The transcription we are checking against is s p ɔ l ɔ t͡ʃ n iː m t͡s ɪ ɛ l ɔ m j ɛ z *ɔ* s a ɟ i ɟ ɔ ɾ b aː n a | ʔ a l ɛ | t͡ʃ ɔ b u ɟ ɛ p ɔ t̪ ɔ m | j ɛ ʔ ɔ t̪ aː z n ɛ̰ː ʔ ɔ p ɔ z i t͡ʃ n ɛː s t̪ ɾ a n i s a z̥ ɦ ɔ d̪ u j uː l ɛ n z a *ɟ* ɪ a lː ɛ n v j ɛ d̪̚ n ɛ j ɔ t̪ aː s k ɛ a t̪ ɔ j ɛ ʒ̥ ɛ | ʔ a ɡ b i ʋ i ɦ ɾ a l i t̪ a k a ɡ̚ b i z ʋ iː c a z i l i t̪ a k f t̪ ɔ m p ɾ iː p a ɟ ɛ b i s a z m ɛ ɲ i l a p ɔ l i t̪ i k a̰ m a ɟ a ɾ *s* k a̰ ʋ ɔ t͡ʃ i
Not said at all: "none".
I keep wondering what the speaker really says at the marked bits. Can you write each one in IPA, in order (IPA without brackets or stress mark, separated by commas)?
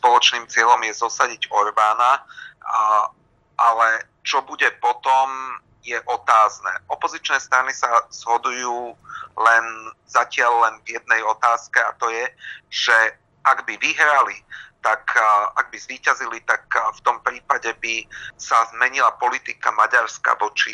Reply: ɔ, c, s